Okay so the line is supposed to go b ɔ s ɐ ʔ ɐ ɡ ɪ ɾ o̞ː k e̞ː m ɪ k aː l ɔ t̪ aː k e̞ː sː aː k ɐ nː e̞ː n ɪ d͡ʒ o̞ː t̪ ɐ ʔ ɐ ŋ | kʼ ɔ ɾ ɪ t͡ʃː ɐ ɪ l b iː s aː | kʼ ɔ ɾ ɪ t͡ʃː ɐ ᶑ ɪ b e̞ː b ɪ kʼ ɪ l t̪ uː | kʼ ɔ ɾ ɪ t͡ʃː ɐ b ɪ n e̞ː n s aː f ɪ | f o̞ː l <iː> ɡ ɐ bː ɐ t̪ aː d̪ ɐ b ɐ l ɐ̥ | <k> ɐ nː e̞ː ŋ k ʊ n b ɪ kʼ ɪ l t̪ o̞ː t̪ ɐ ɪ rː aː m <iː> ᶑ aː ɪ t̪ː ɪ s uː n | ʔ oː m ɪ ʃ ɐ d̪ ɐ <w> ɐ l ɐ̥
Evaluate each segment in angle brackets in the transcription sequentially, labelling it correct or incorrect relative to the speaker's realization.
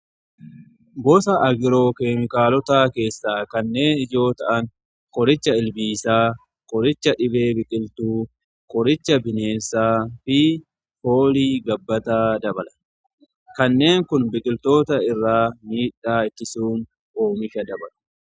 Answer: correct, correct, correct, incorrect: b

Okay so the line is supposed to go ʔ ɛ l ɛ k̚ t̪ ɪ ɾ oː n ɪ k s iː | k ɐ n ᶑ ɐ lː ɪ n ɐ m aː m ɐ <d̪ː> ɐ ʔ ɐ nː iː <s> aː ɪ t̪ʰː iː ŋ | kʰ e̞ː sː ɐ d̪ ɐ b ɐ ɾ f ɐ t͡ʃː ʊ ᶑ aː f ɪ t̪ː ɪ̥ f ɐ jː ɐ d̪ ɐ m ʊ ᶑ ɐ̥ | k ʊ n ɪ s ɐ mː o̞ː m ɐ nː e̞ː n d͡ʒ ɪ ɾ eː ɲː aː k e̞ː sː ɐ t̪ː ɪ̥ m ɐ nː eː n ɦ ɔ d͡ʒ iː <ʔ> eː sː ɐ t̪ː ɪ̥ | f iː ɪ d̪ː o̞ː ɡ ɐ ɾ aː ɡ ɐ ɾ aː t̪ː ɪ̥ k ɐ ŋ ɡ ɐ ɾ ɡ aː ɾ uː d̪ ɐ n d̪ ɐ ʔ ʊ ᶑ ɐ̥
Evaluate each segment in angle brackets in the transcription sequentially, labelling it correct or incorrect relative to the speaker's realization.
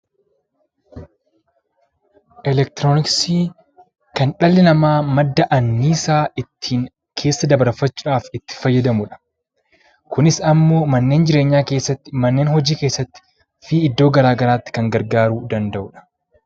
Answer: correct, correct, incorrect: k

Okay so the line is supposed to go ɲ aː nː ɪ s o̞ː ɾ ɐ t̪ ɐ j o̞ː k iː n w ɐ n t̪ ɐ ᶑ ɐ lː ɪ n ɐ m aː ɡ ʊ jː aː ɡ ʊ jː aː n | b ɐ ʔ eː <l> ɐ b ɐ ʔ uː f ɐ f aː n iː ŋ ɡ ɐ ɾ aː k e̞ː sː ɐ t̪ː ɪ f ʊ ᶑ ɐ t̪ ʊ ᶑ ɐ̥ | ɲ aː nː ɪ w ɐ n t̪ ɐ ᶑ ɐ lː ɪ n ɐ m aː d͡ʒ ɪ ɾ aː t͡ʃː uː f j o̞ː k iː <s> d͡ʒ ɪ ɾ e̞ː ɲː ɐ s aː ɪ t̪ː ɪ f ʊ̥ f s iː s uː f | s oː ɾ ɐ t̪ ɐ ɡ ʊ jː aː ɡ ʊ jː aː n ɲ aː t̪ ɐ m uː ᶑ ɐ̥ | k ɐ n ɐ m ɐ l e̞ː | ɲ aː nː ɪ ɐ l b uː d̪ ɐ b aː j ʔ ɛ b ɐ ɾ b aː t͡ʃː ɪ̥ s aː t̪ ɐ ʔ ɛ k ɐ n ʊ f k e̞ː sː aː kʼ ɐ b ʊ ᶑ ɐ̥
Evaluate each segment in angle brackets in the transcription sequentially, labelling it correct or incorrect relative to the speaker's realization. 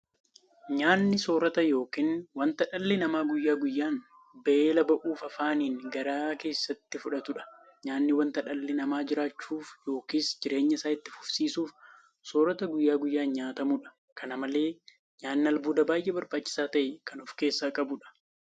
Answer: correct, correct

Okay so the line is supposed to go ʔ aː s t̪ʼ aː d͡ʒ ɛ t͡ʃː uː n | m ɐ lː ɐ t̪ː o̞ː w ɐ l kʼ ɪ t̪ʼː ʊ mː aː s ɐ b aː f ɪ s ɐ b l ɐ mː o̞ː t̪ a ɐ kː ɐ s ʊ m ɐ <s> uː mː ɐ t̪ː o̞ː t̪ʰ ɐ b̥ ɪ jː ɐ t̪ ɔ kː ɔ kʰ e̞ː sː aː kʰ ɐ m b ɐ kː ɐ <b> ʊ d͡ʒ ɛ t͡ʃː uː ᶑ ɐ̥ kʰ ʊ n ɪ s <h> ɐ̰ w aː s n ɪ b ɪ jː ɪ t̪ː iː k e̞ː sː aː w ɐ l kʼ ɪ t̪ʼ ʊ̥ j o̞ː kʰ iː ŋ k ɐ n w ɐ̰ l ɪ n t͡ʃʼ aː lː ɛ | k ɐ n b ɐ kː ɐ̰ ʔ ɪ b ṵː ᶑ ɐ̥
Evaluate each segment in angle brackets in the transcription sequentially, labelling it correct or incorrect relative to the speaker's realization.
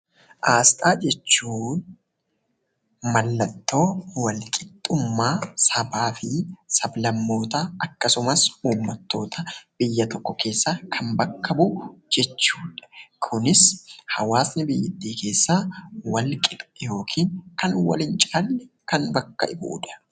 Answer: correct, correct, correct

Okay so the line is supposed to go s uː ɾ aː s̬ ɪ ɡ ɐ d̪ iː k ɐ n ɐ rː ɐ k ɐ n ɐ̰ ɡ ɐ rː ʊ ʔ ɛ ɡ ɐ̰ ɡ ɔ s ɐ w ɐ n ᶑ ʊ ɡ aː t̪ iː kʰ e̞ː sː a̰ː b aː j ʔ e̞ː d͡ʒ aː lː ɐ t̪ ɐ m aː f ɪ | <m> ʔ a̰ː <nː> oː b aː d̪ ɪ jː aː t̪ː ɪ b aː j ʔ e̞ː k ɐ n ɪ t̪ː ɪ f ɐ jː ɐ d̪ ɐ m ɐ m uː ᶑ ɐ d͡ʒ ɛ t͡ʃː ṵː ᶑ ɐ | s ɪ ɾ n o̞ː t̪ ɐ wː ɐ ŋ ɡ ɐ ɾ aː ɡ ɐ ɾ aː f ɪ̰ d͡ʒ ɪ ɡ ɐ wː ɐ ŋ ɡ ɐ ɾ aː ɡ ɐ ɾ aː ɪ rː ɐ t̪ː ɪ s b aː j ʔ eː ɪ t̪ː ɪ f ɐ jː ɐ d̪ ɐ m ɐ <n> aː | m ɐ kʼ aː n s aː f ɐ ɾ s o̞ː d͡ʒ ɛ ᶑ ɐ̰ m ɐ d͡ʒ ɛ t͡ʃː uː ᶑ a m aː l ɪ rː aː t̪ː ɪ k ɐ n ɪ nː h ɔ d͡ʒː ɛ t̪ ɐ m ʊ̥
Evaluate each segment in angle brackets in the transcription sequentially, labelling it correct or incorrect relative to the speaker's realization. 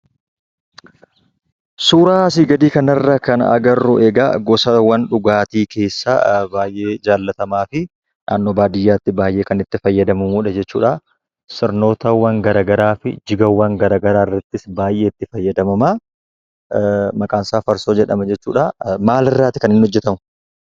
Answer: incorrect: n, correct, incorrect: m

